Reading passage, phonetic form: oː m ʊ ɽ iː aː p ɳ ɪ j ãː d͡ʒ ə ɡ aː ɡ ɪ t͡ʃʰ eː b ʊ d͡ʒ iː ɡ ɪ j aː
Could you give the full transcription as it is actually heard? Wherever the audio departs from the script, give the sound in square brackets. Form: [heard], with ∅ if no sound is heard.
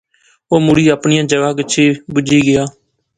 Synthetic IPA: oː m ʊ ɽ iː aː p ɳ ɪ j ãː d͡ʒ ə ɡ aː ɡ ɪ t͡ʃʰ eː b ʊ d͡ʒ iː ɡ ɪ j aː